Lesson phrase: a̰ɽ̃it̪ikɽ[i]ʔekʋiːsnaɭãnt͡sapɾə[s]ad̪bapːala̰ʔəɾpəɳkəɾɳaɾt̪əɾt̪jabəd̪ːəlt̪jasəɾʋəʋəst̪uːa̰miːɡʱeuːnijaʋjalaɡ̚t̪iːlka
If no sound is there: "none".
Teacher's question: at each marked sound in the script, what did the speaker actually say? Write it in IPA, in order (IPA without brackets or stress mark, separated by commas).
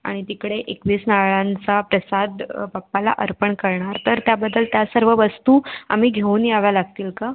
e, s